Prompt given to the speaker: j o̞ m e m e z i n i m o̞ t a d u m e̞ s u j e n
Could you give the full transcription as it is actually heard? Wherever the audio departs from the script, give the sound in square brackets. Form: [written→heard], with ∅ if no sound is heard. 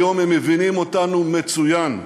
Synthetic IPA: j o̞ m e m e [z→v] i n i m o̞ t a [d→n] u m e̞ [s→t͡s] u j [e→a] n